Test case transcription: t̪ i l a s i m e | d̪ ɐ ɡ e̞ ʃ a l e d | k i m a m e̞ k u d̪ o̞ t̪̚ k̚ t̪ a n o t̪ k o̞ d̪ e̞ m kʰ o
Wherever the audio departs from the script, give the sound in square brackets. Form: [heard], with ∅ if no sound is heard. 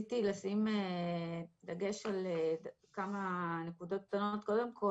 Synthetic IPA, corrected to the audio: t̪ i l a s i m e | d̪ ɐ ɡ e̞ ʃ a l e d | k [a] m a [n] e̞ k u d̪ o̞ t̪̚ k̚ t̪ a n o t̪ k o̞ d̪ e̞ m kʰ o

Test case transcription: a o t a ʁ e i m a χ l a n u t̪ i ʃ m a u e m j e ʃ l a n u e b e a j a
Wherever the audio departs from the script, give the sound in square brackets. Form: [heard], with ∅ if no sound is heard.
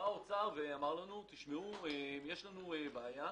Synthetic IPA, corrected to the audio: a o [t͡s] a [v] e [a] m a [ʁ] l a n u t̪ i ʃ m [e] u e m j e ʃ l a n u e b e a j a

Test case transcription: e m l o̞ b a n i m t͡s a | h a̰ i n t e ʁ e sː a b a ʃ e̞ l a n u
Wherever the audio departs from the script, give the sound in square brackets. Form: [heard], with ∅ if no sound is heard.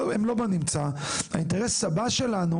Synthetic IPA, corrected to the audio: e m l o̞ b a n i m t͡s a | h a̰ i n t e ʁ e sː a b a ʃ e̞ l a n u

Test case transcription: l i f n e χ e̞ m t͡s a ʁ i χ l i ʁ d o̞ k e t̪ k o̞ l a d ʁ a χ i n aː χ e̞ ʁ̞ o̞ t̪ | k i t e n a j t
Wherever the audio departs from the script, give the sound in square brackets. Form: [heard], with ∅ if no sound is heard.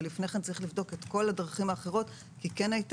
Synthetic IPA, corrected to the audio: l i f n e χ e̞ [n] t͡s a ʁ i χ l i [v] d o̞ k e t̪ k o̞ l a d ʁ a χ i [m] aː χ e̞ ʁ̞ o̞ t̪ | k i [k] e n a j t

